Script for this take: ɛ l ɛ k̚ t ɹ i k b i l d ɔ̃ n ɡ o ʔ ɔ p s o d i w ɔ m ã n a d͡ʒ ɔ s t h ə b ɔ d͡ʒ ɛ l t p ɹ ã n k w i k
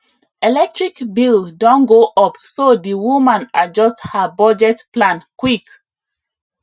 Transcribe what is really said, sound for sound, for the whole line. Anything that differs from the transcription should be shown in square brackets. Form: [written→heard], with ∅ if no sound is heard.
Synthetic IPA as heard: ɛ l ɛ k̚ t ɹ i k b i l d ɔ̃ n ɡ o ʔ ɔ p s o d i w [ɔ→u] m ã n a d͡ʒ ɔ s t h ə b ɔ d͡ʒ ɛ [l→∅] t p [ɹ→l] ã n k w i k